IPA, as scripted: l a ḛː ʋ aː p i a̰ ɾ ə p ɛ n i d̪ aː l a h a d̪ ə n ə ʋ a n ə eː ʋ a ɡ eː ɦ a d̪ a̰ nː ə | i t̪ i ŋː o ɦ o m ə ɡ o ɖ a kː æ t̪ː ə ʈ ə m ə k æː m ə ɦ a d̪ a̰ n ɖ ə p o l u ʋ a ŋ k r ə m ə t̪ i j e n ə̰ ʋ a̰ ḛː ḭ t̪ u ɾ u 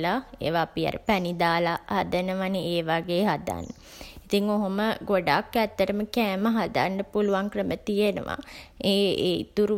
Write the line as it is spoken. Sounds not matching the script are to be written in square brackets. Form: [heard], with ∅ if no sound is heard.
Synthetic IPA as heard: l a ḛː ʋ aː p i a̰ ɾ ə p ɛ n i d̪ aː l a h a d̪ ə n ə ʋ a n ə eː ʋ a ɡ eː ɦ a d̪ a̰ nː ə | i t̪ i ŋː o ɦ o m ə ɡ o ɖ a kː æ t̪ː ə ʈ ə m ə k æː m ə ɦ a d̪ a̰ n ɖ ə p [u] l u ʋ a ŋ k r ə m ə t̪ i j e n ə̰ ʋ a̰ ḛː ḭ t̪ u ɾ u